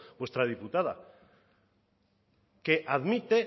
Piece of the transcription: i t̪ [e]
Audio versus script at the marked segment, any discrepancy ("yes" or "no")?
no